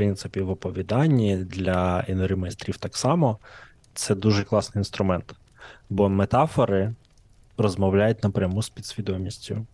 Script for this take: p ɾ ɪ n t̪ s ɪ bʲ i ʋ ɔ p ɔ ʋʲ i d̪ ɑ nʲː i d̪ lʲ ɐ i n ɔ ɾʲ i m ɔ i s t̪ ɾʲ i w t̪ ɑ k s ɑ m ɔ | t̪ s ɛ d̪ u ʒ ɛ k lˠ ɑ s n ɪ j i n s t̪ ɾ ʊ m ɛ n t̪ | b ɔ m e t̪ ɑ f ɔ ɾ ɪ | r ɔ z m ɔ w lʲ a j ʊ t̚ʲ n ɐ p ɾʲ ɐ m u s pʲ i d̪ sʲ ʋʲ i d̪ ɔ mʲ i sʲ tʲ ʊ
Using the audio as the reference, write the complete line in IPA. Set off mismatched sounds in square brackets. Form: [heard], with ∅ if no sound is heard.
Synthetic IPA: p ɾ ɪ n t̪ s ɪ [pʲ] i ʋ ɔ p ɔ ʋʲ i d̪ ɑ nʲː i d̪ lʲ ɐ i n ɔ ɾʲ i m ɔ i s t̪ ɾʲ i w t̪ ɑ k s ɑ m ɔ | t̪ s ɛ d̪ u ʒ ɛ k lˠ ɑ s n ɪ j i n s t̪ ɾ ʊ m ɛ n t̪ | b ɔ m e t̪ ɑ f ɔ ɾ ɪ | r ɔ z m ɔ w lʲ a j ʊ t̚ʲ n ɐ p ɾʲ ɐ m u s pʲ i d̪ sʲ ʋʲ i d̪ ɔ mʲ i sʲ tʲ ʊ